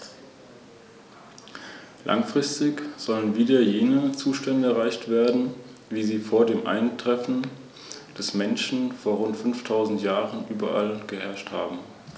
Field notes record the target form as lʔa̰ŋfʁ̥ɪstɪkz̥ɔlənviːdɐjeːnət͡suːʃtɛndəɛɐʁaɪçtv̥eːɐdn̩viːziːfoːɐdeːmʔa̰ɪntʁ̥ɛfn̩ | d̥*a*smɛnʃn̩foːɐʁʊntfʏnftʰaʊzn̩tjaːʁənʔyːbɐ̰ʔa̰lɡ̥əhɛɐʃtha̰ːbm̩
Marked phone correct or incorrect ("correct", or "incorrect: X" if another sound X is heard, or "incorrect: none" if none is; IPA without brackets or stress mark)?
incorrect: ɛ